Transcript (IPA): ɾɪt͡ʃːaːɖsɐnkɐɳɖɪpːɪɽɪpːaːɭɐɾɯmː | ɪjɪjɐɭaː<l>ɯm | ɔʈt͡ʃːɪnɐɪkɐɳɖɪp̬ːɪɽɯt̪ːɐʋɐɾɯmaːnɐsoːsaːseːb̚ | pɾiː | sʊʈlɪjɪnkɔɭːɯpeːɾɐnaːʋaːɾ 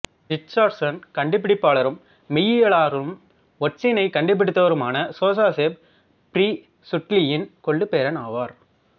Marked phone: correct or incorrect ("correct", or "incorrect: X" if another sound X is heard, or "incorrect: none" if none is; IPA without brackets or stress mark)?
incorrect: ɾ